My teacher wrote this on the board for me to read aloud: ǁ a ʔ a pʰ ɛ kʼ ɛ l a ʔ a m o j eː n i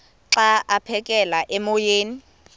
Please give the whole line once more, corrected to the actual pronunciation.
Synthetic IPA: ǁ a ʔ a pʰ ɛ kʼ ɛ l a ʔ ɛ m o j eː n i